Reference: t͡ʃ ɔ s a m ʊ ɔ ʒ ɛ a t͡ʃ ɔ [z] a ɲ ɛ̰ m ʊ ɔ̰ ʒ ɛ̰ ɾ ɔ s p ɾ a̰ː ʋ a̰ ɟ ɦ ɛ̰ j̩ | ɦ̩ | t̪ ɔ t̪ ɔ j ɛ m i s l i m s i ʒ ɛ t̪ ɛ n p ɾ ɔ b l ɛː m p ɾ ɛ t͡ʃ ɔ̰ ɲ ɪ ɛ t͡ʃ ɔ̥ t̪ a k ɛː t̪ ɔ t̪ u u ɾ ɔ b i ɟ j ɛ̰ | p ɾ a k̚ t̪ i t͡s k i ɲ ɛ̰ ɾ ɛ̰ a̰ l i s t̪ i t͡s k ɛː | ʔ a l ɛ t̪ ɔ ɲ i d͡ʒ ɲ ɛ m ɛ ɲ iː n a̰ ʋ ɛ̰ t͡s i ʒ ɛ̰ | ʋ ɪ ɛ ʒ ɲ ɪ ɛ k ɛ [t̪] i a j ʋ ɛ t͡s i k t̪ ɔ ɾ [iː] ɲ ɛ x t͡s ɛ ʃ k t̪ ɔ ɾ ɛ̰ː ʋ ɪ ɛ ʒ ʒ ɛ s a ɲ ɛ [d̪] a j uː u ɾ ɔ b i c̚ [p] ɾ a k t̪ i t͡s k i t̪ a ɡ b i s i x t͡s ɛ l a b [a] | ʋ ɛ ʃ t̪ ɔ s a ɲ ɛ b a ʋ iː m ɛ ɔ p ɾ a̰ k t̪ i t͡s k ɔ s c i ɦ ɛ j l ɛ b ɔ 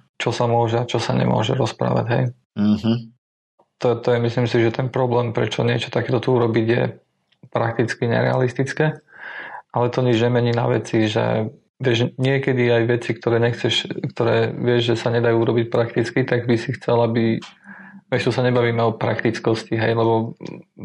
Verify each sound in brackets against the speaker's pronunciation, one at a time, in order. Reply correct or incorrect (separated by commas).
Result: incorrect, incorrect, incorrect, correct, correct, incorrect